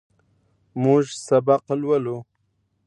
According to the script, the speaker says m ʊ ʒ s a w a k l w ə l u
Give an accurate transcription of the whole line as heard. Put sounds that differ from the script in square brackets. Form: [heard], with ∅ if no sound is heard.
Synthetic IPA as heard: m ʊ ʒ s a [b] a [q] l w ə l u